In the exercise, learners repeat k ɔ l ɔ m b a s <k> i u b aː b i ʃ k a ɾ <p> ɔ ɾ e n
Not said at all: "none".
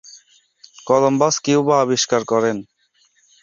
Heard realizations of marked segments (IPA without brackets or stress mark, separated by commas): k, k